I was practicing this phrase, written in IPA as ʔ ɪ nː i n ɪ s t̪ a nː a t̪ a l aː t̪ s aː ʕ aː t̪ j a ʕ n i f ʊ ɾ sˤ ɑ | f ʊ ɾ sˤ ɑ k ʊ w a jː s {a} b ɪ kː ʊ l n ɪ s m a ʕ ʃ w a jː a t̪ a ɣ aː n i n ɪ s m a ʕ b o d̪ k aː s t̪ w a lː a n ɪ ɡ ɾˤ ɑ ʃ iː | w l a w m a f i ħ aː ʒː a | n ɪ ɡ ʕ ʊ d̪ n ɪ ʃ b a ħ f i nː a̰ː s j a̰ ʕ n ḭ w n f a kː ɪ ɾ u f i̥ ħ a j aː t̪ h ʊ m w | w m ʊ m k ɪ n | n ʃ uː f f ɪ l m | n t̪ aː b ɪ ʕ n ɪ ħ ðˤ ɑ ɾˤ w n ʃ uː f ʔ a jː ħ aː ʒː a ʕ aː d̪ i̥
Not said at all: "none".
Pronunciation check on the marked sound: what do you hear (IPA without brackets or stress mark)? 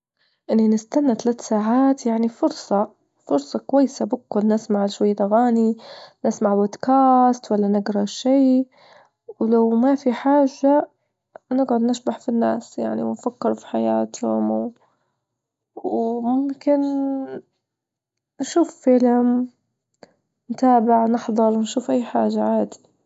a